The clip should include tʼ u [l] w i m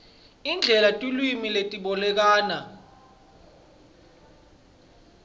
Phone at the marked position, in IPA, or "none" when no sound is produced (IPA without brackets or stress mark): l